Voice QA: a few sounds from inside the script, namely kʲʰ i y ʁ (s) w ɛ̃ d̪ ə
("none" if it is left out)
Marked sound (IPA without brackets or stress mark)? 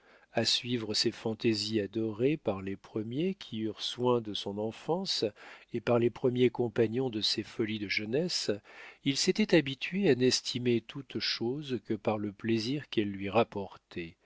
s